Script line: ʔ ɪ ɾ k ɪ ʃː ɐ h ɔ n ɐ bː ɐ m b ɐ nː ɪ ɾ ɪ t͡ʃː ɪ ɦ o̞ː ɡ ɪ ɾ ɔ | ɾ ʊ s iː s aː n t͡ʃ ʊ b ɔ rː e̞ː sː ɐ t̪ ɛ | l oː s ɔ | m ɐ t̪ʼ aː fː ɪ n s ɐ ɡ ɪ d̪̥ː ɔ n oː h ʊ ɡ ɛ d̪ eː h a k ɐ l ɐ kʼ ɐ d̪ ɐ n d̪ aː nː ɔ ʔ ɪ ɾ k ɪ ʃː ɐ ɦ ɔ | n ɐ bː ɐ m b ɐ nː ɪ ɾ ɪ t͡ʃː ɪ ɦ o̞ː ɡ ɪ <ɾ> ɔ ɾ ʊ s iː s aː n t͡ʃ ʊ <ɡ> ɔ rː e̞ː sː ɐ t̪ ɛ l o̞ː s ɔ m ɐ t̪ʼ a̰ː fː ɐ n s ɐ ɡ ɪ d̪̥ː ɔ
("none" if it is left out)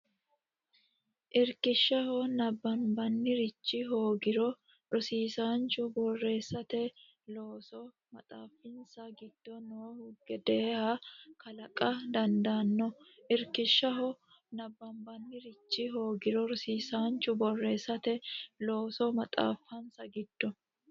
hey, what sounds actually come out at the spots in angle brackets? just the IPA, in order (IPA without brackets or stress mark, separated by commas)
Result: ɾ, b